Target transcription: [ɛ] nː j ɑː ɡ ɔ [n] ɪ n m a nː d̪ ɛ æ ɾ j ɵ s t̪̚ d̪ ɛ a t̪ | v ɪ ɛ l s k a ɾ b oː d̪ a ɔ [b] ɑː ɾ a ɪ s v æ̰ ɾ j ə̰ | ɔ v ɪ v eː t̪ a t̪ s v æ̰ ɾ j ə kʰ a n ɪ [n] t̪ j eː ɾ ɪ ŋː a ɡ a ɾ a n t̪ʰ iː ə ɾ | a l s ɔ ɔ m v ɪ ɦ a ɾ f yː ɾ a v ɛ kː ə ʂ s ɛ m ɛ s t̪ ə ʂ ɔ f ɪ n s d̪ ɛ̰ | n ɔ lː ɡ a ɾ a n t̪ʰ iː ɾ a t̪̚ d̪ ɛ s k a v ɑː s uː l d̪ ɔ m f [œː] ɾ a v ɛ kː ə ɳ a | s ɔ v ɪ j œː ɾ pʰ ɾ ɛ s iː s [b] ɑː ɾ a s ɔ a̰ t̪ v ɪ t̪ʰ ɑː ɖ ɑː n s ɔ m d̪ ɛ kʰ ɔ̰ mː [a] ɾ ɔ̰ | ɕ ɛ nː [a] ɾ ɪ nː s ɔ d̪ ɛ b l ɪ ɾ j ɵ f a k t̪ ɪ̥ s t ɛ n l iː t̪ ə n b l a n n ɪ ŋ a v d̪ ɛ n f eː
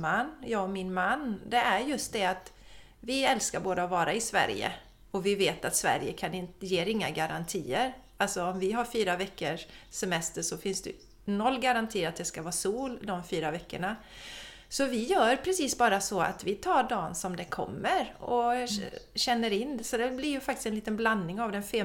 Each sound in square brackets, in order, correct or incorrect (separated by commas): incorrect, incorrect, incorrect, correct, incorrect, correct, incorrect, incorrect